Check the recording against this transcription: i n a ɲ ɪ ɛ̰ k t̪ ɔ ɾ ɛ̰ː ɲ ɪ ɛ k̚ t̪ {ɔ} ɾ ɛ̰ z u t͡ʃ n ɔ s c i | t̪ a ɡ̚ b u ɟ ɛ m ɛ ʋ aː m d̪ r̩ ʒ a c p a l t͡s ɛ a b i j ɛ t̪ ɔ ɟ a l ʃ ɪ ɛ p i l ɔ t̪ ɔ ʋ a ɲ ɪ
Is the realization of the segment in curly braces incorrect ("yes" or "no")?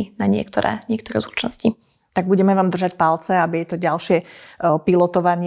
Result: no